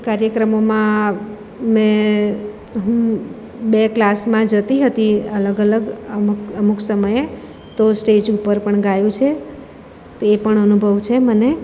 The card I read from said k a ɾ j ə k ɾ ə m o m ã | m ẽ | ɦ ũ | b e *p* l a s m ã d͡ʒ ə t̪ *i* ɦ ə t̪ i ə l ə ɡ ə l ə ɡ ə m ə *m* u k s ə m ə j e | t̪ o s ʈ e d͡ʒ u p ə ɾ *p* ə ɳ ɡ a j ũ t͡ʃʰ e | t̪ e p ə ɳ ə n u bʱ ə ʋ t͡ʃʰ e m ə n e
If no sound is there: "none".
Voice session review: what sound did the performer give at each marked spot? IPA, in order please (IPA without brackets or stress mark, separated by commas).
k, i, m, p